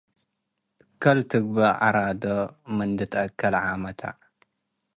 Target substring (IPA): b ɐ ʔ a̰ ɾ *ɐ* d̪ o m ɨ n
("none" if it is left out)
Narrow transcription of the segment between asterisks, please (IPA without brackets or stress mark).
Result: a